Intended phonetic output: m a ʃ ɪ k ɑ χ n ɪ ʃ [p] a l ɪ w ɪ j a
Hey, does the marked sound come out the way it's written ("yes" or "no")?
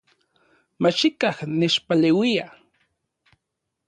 yes